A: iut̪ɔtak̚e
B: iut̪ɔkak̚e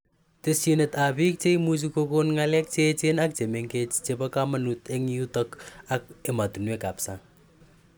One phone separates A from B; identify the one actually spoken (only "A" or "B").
B